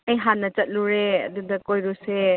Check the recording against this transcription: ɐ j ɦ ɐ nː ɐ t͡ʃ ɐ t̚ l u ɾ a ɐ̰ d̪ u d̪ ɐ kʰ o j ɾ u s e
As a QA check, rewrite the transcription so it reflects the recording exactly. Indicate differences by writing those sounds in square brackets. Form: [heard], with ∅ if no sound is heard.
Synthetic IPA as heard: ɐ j ɦ [a] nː ɐ t͡ʃ ɐ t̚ l u ɾ [e] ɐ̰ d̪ u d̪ ɐ [k] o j ɾ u s e